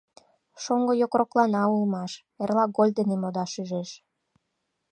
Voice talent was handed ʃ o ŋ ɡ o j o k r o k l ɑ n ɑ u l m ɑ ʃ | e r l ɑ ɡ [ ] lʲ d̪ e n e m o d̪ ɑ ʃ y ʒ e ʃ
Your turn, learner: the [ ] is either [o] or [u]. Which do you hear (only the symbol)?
o